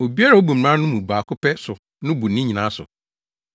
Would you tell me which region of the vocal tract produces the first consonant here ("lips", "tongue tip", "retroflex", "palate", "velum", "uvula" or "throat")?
lips